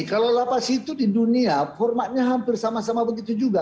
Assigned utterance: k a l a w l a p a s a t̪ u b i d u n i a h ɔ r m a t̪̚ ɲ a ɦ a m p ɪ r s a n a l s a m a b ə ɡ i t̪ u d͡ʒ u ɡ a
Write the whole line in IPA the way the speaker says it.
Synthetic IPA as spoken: k a l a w l a p a s i t̪ u d i d u n i a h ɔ r m a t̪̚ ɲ a ɦ a m p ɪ r s a m a s a m a b ə ɡ i t̪ u d͡ʒ u ɡ a